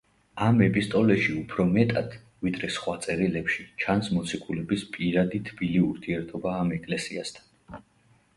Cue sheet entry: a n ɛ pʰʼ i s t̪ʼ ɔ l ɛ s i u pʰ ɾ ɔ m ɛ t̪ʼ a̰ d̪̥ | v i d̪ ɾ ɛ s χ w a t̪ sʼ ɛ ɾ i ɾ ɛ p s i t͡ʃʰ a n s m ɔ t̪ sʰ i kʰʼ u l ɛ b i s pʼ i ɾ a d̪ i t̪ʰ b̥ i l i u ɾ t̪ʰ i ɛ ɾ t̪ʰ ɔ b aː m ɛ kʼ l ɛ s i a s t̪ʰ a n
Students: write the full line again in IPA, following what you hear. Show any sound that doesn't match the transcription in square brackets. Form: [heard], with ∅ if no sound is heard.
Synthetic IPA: a [m] ɛ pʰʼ i s t̪ʼ ɔ l ɛ [ʃ] i u pʰ ɾ ɔ m ɛ t̪ʼ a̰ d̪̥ | v i d̪ ɾ ɛ s χ w a t̪ sʼ ɛ ɾ i [l] ɛ p [ʃ] i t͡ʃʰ a n s m ɔ t̪ sʰ i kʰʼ u l ɛ b i s pʼ i ɾ a d̪ i t̪ʰ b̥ i l i u ɾ t̪ʰ i ɛ ɾ t̪ʰ ɔ b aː m ɛ kʼ l ɛ s i a s t̪ʰ a n

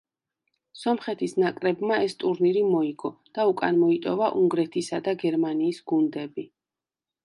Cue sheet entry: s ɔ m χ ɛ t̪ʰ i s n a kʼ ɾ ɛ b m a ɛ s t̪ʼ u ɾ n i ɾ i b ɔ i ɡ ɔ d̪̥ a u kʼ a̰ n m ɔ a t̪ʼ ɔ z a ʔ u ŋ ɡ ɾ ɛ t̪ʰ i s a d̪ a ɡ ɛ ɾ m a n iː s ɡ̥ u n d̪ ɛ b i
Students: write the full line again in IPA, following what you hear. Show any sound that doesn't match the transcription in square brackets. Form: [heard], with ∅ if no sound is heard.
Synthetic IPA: s ɔ m χ ɛ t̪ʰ i s n a kʼ ɾ ɛ b m a ɛ s t̪ʼ u ɾ n i ɾ i [m] ɔ i ɡ ɔ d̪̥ a u kʼ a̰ n m ɔ [i] t̪ʼ ɔ [v] a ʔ u ŋ ɡ ɾ ɛ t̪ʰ i s a d̪ a ɡ ɛ ɾ m a n iː s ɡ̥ u n d̪ ɛ b i

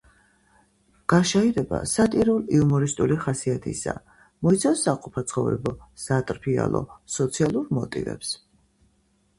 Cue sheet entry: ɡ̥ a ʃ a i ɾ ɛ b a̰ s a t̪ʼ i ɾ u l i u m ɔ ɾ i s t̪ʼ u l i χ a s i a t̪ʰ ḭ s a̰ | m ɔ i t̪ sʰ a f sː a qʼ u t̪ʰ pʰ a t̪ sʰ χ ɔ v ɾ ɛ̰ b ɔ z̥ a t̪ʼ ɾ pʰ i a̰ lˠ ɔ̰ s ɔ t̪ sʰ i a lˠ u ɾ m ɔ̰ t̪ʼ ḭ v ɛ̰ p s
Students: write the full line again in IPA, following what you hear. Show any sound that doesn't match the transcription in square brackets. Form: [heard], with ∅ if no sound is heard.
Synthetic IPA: ɡ̥ a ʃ a i ɾ ɛ b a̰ s a t̪ʼ i ɾ u l i u m ɔ ɾ i s t̪ʼ u l i χ a s i a t̪ʰ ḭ s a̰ | m ɔ i t̪ sʰ a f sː a qʼ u [∅] pʰ a t̪ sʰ χ ɔ v ɾ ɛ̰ b ɔ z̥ a t̪ʼ ɾ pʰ i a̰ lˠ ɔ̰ s ɔ t̪ sʰ i a lˠ u ɾ m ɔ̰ t̪ʼ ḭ v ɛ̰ p s

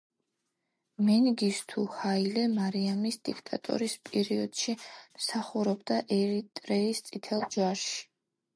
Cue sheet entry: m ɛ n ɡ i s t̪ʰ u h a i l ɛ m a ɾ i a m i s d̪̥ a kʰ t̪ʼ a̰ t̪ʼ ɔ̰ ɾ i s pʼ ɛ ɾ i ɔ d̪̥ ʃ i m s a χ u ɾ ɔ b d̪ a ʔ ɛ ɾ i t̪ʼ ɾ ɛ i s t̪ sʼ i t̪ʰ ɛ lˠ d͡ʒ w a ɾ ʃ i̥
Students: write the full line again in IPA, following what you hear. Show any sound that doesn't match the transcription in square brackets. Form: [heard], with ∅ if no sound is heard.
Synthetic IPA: m ɛ n ɡ i s t̪ʰ u h a i l ɛ m a ɾ i a m i s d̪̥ [i] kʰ t̪ʼ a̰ t̪ʼ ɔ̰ ɾ i s pʼ ɛ ɾ i ɔ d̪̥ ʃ i m s a χ u ɾ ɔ b d̪ a ʔ ɛ ɾ i t̪ʼ ɾ ɛ i s t̪ sʼ i t̪ʰ ɛ lˠ d͡ʒ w a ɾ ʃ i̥

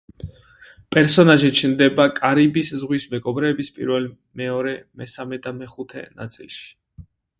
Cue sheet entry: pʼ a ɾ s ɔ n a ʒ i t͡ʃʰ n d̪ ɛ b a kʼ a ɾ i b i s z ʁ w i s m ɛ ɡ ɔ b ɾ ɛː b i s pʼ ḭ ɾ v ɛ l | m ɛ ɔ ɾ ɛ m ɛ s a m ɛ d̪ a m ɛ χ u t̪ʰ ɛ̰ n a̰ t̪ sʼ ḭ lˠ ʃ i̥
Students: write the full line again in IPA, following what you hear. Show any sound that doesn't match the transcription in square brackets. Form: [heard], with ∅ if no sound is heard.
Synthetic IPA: pʼ [ɛ] ɾ s ɔ n a ʒ i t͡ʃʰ n d̪ ɛ b a kʼ a ɾ i b i s z ʁ w i s m ɛ ɡ ɔ b ɾ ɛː b i s pʼ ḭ ɾ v ɛ l | m ɛ ɔ ɾ ɛ m ɛ s a m ɛ d̪ a m ɛ χ u t̪ʰ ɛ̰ n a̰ t̪ sʼ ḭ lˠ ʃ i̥

